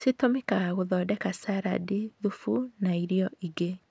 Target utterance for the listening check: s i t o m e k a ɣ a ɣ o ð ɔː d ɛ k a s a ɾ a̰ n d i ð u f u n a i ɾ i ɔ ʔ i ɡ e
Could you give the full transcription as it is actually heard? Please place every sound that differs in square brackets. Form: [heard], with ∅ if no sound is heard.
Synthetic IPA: s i t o m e k a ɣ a ɣ o ð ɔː d ɛ k a s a ɾ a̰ [∅] d i ð u f u n a i ɾ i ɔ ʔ i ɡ e

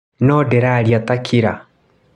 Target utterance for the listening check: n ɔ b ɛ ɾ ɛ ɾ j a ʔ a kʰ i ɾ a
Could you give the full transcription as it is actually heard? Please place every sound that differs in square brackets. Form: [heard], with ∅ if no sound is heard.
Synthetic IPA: n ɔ [d] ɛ ɾ [a] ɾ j a [t] a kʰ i ɾ a

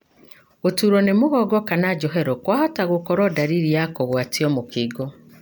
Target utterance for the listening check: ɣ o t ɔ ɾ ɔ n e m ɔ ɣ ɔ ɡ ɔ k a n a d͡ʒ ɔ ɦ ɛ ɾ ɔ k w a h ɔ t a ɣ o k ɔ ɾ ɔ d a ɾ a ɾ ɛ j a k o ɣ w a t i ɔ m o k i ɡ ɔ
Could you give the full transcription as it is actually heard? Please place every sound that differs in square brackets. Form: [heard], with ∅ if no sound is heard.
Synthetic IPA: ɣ o t [u] ɾ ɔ n e m [o] ɣ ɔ ɡ ɔ k a n a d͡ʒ ɔ ɦ ɛ ɾ ɔ k w a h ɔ t a ɣ o k ɔ ɾ ɔ d a ɾ [i] ɾ [i] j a k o ɣ w a t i ɔ m o k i ɡ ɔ

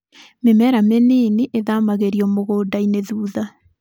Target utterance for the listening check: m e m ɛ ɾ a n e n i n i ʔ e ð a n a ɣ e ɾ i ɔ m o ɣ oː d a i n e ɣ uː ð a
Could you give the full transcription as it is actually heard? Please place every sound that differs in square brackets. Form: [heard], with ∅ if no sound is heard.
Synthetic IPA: m e m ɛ ɾ a [m] e n i n i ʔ e ð a [m] a ɣ e ɾ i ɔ m o ɣ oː d a i n e [ð] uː ð a

